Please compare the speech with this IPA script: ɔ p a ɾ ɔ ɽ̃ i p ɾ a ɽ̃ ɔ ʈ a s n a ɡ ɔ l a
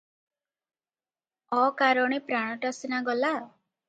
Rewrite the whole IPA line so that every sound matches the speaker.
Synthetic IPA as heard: ɔ k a ɾ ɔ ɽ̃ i p ɾ a ɽ̃ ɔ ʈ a s n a ɡ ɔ l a